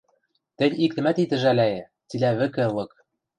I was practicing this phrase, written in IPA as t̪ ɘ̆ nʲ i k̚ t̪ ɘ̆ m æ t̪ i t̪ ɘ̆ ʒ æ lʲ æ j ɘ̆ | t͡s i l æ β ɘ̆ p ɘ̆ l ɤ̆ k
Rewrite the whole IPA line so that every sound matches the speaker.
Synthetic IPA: t̪ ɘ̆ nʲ i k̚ t̪ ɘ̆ m æ t̪ i t̪ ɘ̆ ʒ æ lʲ æ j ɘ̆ | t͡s i l æ β ɘ̆ k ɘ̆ l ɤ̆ k